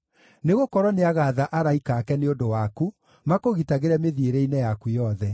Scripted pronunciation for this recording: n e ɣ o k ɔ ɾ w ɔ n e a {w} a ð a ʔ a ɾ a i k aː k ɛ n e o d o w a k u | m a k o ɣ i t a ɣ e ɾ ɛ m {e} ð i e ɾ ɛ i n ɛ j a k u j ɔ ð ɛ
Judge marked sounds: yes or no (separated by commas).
no, yes